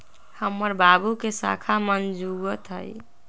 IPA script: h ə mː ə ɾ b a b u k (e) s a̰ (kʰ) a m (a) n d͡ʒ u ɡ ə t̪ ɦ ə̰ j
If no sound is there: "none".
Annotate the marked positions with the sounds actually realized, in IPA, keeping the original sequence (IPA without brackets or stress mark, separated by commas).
e, kʰ, ə